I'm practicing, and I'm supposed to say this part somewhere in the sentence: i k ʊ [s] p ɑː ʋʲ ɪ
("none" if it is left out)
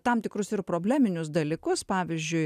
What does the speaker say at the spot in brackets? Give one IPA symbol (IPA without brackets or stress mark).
s